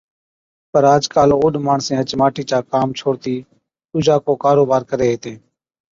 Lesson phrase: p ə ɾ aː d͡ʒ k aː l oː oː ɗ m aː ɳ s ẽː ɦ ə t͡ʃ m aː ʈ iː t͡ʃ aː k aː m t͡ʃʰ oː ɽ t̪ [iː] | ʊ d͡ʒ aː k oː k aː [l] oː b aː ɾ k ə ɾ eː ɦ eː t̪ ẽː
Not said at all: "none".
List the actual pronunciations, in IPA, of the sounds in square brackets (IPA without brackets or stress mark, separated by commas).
iː, ɾ